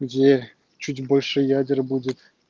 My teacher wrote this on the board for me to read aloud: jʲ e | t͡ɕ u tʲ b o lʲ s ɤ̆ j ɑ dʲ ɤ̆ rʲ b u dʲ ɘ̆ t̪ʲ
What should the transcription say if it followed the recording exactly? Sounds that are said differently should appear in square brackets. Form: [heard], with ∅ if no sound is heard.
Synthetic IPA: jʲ e | t͡ɕ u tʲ b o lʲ [ʂ] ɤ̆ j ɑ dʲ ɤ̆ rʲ b u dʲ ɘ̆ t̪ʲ